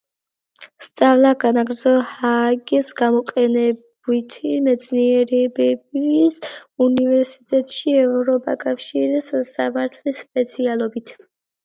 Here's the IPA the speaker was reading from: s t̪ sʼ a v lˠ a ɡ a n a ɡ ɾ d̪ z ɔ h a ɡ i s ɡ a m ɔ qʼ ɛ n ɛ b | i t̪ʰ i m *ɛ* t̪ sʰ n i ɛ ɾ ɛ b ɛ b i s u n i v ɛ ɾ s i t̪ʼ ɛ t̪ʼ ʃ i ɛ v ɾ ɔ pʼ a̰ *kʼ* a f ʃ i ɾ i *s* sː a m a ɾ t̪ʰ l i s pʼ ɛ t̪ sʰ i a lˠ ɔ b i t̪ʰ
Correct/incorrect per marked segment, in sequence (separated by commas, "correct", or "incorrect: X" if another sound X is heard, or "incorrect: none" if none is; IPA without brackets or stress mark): correct, correct, correct